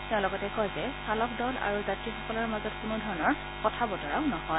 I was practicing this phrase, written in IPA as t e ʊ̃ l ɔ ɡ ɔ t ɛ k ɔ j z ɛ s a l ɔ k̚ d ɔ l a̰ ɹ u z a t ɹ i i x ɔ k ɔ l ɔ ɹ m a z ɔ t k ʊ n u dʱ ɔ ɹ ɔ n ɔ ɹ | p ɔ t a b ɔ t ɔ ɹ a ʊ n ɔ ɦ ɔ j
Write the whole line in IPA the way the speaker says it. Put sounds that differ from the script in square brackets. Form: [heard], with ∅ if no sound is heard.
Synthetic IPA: t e ʊ̃ l ɔ ɡ ɔ t ɛ k ɔ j z ɛ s a l ɔ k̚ d ɔ l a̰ ɹ u z a t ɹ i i x ɔ k ɔ l ɔ ɹ m a z ɔ t k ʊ n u dʱ ɔ ɹ ɔ n ɔ ɹ | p ɔ [tʰ] a b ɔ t ɔ ɹ a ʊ n ɔ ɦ ɔ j